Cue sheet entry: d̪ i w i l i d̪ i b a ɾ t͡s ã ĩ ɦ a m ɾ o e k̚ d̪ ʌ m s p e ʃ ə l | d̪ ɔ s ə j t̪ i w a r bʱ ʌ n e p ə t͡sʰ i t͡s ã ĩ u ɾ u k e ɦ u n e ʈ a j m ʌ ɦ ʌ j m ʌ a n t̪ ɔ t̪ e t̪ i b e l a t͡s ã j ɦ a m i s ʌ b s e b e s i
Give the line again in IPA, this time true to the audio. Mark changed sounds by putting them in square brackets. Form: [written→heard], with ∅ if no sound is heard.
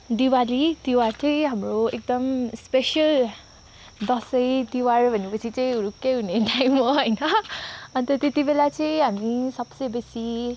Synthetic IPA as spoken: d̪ i w [i→a] l i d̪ i [b→w] a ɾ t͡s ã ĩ ɦ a m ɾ o e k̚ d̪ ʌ m s p e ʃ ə l | d̪ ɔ s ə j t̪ i w a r bʱ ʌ n e p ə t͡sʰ i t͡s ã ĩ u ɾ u k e ɦ u n e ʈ a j m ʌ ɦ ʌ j [m→n] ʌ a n t̪ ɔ t̪ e t̪ i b e l a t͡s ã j ɦ a m i s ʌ b s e b e s i